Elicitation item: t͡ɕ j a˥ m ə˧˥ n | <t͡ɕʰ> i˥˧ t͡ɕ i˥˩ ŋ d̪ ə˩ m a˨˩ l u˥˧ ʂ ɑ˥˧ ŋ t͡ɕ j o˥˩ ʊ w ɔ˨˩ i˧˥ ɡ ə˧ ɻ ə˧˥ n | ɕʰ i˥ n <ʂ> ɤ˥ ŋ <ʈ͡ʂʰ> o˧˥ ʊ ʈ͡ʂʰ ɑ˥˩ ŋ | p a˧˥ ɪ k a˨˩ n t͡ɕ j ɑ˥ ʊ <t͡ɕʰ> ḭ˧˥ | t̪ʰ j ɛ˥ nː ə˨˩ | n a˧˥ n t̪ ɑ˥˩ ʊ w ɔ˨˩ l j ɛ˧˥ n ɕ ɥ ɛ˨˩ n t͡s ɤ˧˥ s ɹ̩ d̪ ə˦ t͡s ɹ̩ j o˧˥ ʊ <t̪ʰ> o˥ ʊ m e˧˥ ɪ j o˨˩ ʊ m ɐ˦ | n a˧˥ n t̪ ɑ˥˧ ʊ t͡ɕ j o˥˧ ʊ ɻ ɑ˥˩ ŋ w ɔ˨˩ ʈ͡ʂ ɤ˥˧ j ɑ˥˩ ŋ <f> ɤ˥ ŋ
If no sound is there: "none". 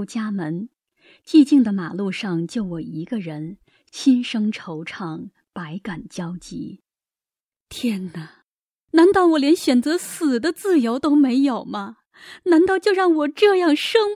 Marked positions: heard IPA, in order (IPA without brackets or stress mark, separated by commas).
t͡ɕ, ʂ, ʈ͡ʂʰ, t͡ɕ, t̪, ʂ